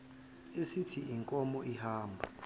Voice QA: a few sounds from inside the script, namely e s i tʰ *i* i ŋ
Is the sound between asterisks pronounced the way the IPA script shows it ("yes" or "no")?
yes